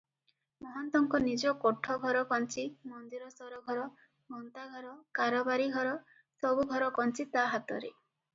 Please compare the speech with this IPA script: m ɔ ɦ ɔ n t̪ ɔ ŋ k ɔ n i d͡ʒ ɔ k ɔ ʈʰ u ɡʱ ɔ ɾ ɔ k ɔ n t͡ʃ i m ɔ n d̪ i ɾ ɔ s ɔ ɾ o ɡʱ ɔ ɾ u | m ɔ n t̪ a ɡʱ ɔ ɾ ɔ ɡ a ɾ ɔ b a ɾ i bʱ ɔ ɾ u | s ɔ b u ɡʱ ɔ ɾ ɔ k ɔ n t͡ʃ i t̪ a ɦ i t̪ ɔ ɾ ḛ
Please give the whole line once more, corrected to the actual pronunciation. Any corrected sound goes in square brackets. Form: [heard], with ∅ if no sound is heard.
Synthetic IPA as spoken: m ɔ ɦ ɔ n t̪ ɔ ŋ k ɔ n i d͡ʒ ɔ k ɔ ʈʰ [ɔ] ɡʱ ɔ ɾ ɔ k ɔ n t͡ʃ i m ɔ n d̪ i ɾ ɔ s ɔ ɾ [ɔ] ɡʱ ɔ ɾ [ɔ] | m ɔ n t̪ a ɡʱ ɔ ɾ ɔ [k] a ɾ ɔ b a ɾ i [ɡʱ] ɔ ɾ [ɔ] | s ɔ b u ɡʱ ɔ ɾ ɔ k ɔ n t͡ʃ i t̪ a ɦ [a] t̪ ɔ ɾ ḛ